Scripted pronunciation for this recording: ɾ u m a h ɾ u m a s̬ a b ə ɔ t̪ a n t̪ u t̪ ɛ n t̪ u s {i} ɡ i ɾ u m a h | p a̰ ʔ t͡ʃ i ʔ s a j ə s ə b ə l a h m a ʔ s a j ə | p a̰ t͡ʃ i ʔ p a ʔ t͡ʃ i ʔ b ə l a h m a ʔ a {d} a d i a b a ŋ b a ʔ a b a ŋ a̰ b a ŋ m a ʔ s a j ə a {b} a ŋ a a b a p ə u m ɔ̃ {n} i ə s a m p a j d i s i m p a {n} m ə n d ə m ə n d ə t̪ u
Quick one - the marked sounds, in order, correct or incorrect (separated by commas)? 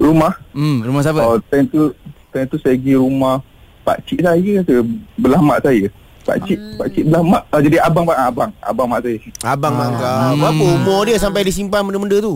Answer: incorrect, incorrect, correct, incorrect, correct